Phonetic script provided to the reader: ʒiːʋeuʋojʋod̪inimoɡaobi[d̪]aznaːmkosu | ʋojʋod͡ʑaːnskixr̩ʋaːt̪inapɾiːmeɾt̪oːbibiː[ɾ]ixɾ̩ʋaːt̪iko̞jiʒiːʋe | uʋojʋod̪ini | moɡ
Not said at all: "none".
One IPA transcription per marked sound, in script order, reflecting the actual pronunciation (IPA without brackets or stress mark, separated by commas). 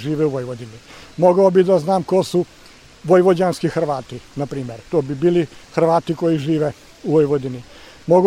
d̪, l